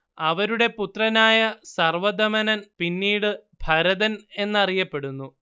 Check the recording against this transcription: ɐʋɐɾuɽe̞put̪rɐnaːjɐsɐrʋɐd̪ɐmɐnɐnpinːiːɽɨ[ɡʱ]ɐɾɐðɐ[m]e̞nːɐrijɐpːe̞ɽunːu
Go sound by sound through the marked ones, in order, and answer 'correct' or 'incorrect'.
incorrect: bʱ, incorrect: n

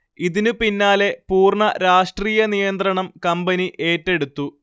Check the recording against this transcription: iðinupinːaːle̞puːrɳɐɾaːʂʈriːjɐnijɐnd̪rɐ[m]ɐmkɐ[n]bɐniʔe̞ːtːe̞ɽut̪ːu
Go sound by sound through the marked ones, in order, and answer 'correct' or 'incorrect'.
incorrect: ɳ, incorrect: m

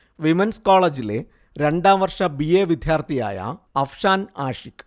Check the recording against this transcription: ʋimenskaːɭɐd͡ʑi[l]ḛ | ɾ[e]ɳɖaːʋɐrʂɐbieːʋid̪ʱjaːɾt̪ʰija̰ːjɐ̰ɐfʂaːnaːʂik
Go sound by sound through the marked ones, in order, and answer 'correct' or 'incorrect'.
correct, correct

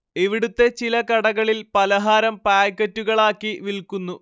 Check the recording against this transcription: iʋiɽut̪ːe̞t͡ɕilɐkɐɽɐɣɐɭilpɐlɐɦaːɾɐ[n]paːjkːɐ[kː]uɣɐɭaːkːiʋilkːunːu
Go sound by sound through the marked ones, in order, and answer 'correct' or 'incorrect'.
incorrect: m, incorrect: tː

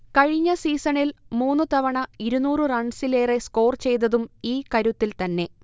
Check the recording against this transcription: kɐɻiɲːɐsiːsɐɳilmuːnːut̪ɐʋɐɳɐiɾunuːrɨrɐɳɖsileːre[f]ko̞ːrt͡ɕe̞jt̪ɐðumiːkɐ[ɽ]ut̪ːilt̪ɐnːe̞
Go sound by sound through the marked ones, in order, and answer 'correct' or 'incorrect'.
incorrect: s, incorrect: ɾ

